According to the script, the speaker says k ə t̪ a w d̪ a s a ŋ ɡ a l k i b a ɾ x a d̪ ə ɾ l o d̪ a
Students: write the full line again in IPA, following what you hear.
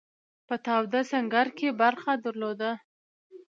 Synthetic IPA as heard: p ə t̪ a w d̪ a s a ŋ ɡ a ɾ k e b a ɾ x a d̪ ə ɾ l o d̪ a